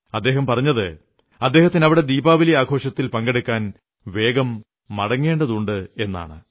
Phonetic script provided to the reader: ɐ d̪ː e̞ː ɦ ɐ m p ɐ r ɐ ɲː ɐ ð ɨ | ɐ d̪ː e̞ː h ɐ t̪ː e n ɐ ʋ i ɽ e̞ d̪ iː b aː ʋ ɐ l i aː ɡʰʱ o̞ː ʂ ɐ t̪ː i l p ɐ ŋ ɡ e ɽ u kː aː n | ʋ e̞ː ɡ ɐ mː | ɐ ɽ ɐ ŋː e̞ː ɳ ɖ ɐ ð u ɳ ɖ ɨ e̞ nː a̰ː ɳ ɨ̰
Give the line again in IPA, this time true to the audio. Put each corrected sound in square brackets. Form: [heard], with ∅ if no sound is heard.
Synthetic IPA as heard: ɐ d̪ː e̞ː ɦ ɐ m p ɐ r ɐ ɲː ɐ ð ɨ | ɐ d̪ː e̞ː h ɐ t̪ː [i] n ɐ ʋ i ɽ e̞ d̪ iː b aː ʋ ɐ l i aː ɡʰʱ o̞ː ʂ ɐ t̪ː i l p ɐ ŋ ɡ e ɽ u kː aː n | ʋ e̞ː ɡ ɐ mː | ɐ ɽ ɐ ŋː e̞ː ɳ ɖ ɐ ð u ɳ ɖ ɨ e̞ nː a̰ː ɳ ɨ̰

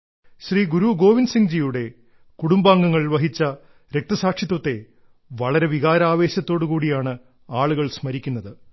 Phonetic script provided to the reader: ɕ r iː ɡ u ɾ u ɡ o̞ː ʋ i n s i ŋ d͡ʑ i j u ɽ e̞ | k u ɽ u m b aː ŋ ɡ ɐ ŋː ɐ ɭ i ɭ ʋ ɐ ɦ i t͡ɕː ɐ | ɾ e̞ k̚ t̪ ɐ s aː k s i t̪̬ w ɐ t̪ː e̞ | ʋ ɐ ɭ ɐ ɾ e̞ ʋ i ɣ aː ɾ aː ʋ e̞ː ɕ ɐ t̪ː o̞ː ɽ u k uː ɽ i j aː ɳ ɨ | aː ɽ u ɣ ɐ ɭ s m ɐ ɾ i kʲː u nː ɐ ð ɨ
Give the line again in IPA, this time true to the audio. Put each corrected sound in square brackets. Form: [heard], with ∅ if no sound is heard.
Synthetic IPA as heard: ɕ r iː ɡ u ɾ u ɡ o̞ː ʋ i n s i ŋ d͡ʑ i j u ɽ e̞ | k u ɽ u m b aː ŋ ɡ ɐ ŋː ɐ ɭ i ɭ ʋ ɐ ɦ i t͡ɕː ɐ | ɾ e̞ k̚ t̪ ɐ s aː k [ʂ] i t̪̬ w ɐ t̪ː e̞ | ʋ ɐ ɭ ɐ ɾ e̞ ʋ i ɣ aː ɾ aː ʋ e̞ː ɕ ɐ t̪ː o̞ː ɽ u k uː ɽ i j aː ɳ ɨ | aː [ɭ] u ɣ ɐ ɭ s m ɐ ɾ i kʲː u nː ɐ ð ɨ

